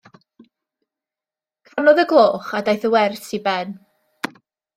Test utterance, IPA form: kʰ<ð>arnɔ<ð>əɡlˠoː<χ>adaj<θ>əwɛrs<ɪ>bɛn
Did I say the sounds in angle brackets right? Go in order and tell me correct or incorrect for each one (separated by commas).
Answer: incorrect, correct, correct, correct, incorrect